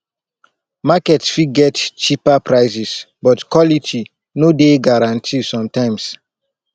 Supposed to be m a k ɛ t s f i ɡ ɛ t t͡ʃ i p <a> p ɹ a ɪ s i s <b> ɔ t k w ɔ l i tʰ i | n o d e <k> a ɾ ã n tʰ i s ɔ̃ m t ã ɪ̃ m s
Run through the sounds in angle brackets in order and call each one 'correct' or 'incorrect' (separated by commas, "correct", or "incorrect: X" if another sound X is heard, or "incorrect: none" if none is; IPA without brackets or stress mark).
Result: correct, correct, incorrect: ɡ